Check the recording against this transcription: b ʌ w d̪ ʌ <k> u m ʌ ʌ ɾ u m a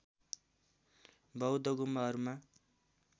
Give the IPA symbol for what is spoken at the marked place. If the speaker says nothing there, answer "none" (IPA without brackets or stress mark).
ɡ